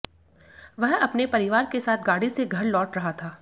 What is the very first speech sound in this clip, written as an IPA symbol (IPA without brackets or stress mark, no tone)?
ʋ